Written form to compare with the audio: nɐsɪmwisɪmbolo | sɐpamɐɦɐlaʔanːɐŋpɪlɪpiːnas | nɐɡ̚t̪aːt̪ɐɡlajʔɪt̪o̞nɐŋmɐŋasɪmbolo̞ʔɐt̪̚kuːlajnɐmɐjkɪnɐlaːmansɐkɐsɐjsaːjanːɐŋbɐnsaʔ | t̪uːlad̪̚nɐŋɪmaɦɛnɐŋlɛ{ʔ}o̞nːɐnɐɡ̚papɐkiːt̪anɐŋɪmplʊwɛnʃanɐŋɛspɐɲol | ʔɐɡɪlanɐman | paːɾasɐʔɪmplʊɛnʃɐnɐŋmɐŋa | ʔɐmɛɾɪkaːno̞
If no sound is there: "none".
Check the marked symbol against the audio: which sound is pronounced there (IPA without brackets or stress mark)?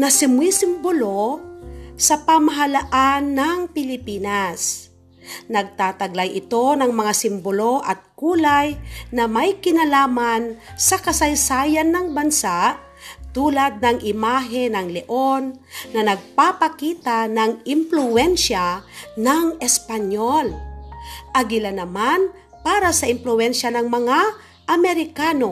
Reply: ʔ